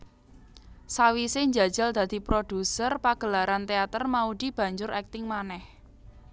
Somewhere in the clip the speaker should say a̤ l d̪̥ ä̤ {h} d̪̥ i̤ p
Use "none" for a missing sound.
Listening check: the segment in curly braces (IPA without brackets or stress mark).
none